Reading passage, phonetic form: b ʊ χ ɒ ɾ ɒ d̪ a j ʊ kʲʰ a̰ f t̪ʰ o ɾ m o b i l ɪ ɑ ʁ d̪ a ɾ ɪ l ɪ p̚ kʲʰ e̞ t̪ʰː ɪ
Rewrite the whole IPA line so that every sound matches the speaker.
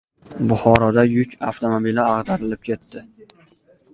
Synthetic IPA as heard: b ʊ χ ɒ ɾ ɒ d̪ a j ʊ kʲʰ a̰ f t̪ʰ o m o b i l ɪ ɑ ʁ d̪ a ɾ ɪ l ɪ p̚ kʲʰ e̞ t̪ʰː ɪ